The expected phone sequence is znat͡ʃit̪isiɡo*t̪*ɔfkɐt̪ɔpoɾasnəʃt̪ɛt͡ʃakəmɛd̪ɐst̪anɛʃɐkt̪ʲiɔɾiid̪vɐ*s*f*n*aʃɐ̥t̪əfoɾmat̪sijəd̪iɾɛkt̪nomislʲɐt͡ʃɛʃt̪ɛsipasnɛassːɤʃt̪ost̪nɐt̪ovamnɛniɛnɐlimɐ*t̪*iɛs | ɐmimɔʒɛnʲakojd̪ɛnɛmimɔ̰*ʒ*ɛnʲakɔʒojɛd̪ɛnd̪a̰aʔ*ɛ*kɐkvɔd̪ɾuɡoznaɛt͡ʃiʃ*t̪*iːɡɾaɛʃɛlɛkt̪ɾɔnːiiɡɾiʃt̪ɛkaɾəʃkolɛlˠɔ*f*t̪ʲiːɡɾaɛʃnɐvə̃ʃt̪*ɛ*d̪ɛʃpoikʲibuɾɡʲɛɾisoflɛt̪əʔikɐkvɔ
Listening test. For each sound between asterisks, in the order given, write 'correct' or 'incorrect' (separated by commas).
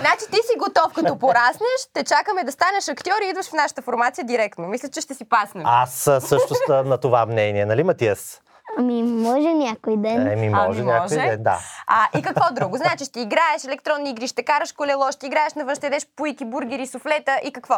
correct, incorrect, correct, correct, correct, incorrect, correct, incorrect, correct